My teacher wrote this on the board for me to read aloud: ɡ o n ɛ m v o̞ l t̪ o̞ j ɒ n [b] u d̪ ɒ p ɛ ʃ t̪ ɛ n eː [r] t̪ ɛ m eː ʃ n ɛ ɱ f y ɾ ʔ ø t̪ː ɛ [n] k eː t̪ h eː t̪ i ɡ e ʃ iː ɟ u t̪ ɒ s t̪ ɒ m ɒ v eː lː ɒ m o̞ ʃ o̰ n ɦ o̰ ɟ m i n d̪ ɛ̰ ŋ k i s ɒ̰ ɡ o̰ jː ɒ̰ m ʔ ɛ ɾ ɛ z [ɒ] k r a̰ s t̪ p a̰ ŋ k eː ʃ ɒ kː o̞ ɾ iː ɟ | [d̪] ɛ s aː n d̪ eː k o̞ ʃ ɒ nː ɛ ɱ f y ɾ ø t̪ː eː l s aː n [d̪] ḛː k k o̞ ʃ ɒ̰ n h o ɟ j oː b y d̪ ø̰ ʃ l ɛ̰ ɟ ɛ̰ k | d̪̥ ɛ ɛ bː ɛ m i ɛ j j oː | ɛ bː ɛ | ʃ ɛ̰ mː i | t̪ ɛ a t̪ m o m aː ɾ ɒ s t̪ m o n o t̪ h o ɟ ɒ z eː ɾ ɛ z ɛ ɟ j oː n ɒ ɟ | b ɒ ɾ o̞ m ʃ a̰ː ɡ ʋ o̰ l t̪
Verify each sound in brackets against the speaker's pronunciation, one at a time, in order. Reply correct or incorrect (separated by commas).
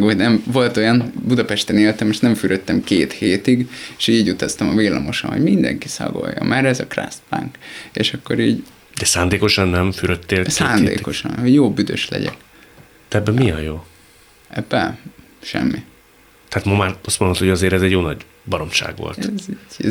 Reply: correct, incorrect, incorrect, correct, correct, correct